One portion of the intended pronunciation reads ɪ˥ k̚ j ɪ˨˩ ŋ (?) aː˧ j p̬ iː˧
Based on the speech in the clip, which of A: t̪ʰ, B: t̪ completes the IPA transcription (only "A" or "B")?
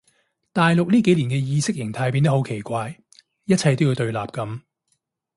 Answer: A